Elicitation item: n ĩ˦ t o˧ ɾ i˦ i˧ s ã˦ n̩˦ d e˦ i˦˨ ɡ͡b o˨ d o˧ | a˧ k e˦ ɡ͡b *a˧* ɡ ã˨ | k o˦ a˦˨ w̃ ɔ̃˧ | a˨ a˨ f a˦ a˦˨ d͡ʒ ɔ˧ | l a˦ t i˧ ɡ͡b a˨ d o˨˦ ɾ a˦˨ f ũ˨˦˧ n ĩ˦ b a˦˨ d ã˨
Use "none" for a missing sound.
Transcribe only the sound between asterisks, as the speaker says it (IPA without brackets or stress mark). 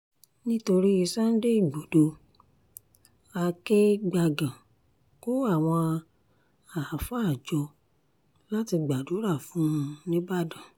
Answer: a˧